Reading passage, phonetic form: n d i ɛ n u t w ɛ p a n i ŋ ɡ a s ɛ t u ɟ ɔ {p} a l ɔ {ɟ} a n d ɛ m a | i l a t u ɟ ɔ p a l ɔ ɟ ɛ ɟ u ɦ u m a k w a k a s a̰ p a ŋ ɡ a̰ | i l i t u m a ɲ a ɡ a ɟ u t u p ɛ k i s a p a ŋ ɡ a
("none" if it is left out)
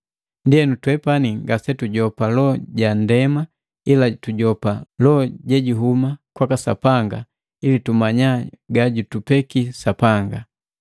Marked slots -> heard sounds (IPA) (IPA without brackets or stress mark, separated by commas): p, ɟ